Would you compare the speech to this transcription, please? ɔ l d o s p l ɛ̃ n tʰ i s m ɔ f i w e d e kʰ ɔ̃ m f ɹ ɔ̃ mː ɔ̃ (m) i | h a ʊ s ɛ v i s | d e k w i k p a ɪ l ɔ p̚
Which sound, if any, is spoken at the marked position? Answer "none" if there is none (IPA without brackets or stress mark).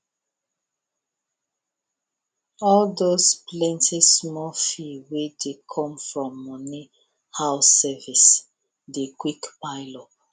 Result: n